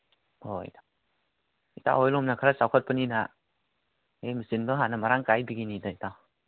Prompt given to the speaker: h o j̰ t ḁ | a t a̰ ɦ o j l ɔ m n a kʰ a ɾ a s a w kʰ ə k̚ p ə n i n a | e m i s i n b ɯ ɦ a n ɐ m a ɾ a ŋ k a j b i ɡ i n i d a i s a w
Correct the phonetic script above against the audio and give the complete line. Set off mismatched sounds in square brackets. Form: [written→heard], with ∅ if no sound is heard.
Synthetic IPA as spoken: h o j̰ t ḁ | [a→i] t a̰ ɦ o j l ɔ m n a kʰ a ɾ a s a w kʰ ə [k̚→t̚] p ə n i n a | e m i s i n b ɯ ɦ a n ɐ m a ɾ a ŋ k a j b i ɡ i n i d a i [s→t] a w